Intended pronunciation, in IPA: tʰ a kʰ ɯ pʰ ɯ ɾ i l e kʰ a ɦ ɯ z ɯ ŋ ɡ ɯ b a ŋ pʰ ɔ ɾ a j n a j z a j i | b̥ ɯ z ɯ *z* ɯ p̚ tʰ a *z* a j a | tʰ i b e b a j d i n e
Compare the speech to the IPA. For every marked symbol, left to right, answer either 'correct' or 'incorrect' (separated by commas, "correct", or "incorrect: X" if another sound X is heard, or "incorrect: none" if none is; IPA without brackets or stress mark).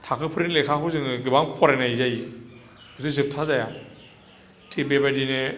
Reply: correct, correct